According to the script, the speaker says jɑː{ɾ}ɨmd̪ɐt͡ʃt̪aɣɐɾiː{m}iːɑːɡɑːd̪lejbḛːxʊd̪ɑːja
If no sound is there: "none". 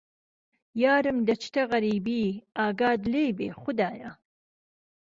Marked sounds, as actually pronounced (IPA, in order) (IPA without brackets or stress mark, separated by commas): ɾ, b